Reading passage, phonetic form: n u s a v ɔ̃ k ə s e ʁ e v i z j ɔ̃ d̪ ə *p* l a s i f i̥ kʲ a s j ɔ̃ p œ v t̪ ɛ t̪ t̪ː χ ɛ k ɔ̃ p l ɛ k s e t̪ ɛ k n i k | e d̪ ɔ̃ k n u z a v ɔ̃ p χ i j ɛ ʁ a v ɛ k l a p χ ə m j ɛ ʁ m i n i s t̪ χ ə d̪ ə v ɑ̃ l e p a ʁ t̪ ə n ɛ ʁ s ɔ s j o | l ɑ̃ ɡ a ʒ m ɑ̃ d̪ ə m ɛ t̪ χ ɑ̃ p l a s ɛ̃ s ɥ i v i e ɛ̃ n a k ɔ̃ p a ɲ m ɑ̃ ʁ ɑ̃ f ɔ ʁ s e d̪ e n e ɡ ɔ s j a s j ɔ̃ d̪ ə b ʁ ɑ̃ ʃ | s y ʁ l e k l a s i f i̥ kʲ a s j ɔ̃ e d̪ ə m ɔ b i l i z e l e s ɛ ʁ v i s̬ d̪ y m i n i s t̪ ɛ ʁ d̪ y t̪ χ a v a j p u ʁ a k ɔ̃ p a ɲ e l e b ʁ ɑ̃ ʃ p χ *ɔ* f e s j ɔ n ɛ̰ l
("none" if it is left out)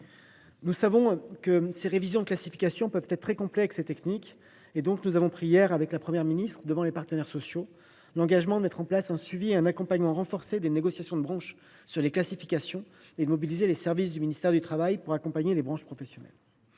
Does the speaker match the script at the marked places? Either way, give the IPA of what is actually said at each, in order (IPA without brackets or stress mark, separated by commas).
k, ɔ